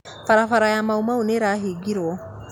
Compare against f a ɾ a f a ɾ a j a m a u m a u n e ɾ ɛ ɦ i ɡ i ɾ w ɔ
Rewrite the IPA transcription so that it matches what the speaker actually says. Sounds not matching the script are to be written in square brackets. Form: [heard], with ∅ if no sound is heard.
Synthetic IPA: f a ɾ a f a ɾ a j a m a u m a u n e ɾ [a] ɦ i ɡ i ɾ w ɔ